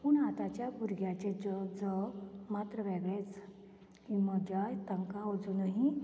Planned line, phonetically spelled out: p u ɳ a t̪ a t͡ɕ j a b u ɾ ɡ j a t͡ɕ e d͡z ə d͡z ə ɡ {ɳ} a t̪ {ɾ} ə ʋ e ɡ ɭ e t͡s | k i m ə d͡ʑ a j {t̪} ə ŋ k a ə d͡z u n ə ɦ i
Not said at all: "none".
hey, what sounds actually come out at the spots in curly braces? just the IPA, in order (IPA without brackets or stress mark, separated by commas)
m, ɾ, t̪